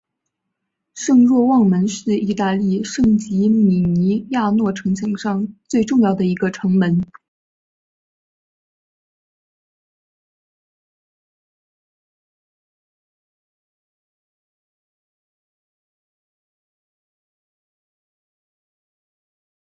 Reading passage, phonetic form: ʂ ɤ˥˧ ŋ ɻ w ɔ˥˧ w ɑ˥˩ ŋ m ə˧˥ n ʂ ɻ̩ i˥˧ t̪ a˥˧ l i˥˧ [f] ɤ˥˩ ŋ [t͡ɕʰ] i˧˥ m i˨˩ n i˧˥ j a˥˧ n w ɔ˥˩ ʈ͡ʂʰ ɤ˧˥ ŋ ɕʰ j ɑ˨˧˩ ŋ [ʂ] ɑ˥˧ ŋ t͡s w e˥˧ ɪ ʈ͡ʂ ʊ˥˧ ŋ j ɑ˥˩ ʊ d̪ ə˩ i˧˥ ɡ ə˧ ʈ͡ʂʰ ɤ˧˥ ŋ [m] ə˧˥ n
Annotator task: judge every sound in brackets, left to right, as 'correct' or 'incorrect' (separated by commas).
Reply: incorrect, incorrect, correct, correct